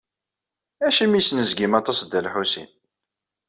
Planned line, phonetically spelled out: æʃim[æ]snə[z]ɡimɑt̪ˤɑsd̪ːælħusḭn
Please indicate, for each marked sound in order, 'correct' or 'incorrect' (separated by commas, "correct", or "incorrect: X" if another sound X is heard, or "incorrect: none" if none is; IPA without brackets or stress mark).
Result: incorrect: i, correct